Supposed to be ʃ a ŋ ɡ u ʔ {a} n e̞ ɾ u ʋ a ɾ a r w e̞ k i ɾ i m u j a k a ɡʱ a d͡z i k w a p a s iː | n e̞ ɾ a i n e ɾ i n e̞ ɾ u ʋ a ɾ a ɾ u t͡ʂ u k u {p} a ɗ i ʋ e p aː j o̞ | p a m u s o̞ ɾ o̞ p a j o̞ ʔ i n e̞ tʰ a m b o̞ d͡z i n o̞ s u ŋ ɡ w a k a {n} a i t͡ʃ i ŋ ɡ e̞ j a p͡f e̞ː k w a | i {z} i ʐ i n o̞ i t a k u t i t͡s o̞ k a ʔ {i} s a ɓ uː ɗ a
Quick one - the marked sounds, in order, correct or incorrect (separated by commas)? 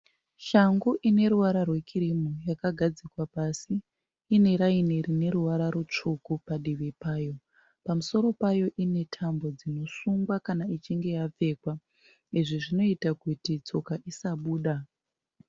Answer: incorrect, correct, correct, incorrect, correct